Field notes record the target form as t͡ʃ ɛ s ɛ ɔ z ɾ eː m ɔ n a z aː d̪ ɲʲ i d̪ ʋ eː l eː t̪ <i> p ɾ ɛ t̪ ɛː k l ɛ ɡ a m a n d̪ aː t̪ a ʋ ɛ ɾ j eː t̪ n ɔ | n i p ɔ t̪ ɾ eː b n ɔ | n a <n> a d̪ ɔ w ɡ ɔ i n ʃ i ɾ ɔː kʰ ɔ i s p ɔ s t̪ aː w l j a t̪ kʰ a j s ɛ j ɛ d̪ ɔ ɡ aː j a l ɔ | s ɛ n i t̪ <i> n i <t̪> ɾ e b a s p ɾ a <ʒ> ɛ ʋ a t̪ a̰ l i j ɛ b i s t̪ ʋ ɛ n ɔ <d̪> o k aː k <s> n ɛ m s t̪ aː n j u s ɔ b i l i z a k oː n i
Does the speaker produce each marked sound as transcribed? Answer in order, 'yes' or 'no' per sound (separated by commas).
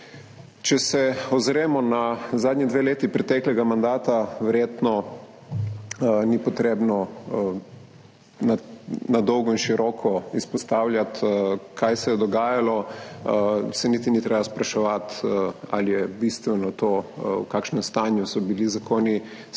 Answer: yes, yes, yes, yes, no, no, no